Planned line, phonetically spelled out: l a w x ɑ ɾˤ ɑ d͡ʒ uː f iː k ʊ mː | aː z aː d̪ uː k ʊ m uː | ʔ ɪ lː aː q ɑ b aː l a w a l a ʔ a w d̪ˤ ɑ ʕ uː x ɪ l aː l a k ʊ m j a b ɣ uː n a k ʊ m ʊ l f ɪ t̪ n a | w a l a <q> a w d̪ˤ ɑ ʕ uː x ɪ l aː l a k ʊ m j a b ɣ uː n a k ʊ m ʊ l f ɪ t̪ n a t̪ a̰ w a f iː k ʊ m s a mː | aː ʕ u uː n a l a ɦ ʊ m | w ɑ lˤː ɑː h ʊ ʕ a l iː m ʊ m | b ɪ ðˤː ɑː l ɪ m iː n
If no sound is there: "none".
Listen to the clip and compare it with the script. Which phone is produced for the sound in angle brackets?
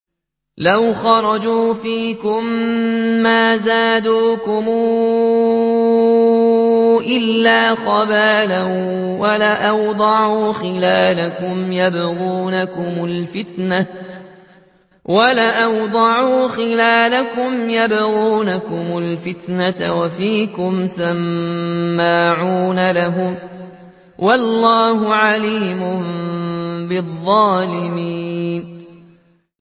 ʔ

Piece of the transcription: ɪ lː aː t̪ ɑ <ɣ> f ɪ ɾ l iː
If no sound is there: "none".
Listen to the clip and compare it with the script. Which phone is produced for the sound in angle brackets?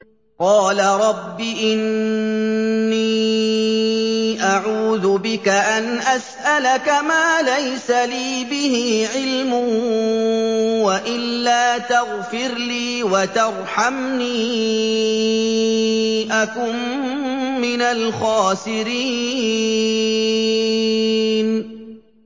ɣ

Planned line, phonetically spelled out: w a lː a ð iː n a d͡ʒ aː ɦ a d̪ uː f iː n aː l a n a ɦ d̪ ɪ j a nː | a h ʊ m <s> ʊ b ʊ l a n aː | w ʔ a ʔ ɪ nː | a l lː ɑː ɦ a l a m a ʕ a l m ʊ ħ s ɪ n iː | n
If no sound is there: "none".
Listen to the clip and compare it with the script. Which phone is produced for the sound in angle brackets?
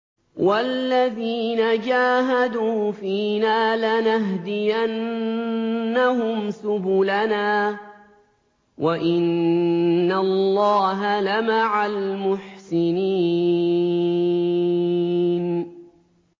s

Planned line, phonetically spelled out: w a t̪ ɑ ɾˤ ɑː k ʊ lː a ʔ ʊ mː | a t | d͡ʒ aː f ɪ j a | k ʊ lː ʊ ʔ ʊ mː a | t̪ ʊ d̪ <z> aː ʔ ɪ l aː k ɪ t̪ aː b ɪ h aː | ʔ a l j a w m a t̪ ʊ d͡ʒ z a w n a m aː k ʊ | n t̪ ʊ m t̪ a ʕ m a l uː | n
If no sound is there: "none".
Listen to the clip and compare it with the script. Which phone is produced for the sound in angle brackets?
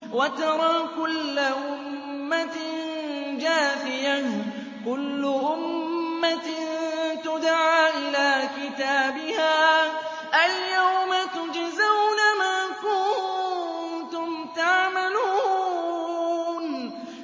ʕ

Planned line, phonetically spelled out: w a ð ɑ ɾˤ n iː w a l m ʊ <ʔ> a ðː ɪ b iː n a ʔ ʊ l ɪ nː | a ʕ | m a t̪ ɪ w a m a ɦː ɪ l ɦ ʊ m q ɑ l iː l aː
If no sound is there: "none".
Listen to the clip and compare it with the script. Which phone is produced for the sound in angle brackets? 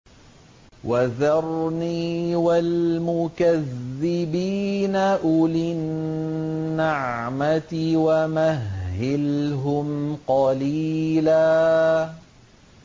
k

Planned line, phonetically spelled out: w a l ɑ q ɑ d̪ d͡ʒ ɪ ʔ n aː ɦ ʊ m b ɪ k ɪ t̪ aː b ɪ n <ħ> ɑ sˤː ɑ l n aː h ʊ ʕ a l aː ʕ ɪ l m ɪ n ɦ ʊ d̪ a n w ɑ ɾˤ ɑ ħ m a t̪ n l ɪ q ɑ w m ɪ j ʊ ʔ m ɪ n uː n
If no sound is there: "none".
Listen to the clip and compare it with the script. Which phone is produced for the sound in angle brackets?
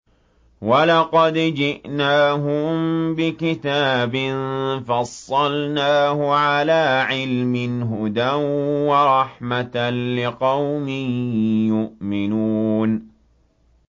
f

